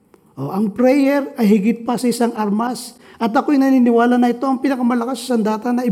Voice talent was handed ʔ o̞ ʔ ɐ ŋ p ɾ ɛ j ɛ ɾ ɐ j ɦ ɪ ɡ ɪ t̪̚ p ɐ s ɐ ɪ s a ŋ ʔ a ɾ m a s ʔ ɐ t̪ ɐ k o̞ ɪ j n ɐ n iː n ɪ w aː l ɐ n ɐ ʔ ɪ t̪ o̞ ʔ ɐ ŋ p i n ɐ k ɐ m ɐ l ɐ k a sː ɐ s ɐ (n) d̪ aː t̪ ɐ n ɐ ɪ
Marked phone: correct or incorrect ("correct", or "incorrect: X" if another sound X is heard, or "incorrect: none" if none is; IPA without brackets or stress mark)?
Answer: correct